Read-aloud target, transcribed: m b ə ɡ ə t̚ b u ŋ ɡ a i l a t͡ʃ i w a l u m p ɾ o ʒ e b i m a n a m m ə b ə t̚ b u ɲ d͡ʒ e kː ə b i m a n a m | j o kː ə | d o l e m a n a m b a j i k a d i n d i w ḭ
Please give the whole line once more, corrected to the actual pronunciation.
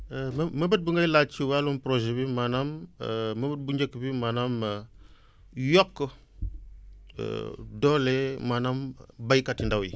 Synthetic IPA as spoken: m m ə b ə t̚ b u ŋ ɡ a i l a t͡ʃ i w a l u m p ɾ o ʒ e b i m a n a m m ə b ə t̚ b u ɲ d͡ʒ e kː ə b i m a n a m | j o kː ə | d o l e m a n a m b a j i k a t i n d a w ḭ

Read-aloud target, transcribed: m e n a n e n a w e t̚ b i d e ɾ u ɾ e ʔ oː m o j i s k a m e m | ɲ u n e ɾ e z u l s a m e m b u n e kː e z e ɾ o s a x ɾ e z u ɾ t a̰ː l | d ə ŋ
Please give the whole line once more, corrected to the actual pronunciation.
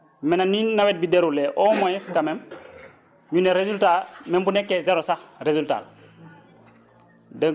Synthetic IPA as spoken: m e n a n i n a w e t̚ b i d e ɾ u l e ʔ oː m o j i s k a m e m | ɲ u n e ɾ e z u l t a m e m b u n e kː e z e ɾ o s a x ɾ e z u l t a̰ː l | d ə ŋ

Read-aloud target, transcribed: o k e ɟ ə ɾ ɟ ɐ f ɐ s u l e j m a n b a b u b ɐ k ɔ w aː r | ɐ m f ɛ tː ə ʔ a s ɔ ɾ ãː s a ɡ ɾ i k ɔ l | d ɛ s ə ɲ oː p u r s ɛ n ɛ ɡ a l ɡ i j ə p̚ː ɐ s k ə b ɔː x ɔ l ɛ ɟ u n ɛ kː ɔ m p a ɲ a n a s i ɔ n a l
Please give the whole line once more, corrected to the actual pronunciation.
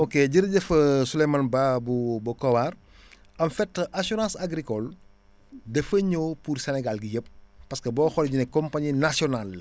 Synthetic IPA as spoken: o k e ɟ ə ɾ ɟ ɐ f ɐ s u l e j m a n b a b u b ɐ k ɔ w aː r | ɐ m f ɛ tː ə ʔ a s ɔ ɾ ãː s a ɡ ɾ i k ɔ l | d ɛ f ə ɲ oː p u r s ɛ n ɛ ɡ a l ɡ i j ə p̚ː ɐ s k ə b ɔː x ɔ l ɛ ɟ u n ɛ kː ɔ m p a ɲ i n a s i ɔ n a l

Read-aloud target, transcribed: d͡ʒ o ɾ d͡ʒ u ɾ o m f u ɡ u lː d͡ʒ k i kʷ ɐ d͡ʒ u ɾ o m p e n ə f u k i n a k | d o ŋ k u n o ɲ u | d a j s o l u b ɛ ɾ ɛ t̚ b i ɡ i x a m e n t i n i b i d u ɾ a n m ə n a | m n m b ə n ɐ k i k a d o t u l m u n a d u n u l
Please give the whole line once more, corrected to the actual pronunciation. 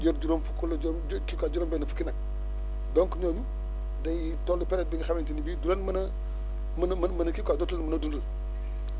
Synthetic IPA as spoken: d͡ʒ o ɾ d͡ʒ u ɾ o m f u k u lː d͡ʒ k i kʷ a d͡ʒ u ɾ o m b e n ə f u k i n a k | d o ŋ k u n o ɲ u | d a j t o l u p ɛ ɾ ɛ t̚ b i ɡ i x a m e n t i n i b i d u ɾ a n m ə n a | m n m m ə n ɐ k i k a d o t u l m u n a d u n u l

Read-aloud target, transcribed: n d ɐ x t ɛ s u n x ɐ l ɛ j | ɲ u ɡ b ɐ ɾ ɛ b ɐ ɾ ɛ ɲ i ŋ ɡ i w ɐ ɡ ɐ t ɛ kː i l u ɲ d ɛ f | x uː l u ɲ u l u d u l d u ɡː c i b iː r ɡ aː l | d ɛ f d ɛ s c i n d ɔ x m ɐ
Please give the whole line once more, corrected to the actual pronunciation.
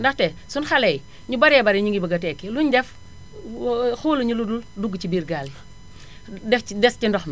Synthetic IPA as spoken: n d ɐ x t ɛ s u n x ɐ l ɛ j | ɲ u b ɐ ɾ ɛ b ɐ ɾ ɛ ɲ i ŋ ɡ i b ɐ ɡ ɐ t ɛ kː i l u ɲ d ɛ f | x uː l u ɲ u l u d u l d u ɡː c i b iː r ɡ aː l | d ɛ f d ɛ s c i n d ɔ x m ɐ

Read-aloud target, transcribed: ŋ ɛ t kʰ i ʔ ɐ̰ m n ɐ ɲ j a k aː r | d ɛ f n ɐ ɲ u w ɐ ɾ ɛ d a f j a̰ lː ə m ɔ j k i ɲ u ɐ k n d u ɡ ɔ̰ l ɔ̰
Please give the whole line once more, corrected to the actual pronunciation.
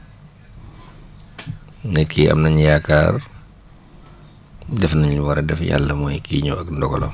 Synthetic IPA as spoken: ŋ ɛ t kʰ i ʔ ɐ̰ m n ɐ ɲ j a k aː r | d ɛ f n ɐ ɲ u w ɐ ɾ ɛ d ɛ f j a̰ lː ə m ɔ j k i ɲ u ɐ k n d ɔ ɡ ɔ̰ l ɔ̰

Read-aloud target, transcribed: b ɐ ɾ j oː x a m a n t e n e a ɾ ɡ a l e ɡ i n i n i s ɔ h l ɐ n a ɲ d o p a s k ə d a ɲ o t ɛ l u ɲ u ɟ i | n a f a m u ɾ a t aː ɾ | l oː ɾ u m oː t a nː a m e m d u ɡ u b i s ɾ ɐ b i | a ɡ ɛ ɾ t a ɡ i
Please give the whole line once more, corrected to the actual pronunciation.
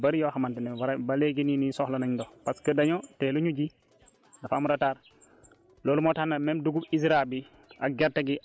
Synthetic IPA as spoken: b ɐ ɾ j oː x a m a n t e n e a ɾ b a l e ɡ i n i n i s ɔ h l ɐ n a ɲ d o p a s k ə d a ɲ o t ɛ l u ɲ u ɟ i | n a f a m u ɾ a t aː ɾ | l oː l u m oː t a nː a m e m d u ɡ u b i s ɾ a b i | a ɡ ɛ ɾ t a ɡ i

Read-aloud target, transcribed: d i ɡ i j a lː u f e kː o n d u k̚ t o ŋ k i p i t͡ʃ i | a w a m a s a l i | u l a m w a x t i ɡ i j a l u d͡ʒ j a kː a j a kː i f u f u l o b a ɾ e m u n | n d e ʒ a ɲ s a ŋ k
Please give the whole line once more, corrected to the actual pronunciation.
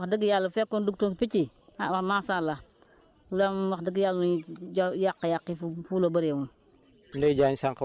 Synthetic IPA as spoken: d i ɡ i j a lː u f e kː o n d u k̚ t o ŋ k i p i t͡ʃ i | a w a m a s a l a | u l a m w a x d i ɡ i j a l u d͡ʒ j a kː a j a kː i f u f u l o b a ɾ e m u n | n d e d͡ʒ a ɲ s a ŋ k

